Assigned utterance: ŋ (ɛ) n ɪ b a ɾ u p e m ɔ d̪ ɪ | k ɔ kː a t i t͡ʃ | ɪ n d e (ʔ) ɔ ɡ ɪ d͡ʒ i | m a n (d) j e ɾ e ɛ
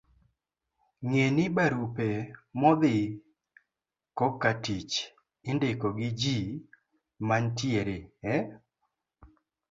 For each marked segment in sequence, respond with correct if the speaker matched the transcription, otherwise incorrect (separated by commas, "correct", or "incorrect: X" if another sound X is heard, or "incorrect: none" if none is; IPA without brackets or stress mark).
incorrect: e, incorrect: k, incorrect: t